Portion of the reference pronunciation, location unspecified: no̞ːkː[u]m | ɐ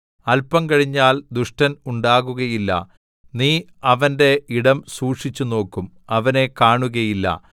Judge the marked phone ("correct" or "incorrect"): correct